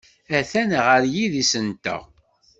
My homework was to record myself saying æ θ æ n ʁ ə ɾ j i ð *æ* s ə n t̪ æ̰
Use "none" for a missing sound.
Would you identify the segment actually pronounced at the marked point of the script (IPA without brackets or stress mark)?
i